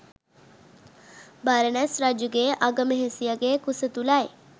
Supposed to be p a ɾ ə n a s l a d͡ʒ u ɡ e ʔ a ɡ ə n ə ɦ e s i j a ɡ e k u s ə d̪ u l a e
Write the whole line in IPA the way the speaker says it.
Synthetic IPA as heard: b a ɾ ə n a s ɾ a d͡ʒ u ɡ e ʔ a ɡ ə m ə ɦ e s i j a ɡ e k u s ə t̪ u l a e